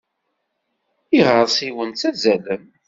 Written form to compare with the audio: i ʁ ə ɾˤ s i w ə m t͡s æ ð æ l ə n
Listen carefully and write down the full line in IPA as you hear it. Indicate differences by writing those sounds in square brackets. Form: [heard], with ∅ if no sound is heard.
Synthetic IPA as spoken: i ʁ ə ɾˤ s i w ə [n] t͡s æ [z] æ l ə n